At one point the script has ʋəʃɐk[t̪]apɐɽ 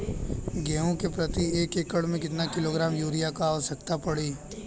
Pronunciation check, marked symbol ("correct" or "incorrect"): correct